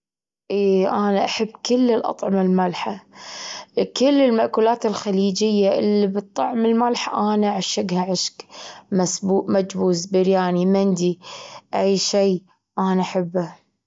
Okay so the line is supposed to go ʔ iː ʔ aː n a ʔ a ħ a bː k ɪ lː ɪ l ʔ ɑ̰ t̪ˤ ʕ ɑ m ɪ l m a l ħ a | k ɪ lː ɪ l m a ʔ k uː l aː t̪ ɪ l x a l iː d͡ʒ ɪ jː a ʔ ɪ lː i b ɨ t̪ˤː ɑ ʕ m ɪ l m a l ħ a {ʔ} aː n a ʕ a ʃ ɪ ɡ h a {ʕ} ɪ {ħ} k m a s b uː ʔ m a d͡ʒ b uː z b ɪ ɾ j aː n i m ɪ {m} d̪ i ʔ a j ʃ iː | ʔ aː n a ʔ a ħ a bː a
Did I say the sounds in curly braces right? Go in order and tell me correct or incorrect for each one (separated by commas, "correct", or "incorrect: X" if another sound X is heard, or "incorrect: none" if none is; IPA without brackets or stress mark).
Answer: correct, correct, incorrect: ʃ, incorrect: n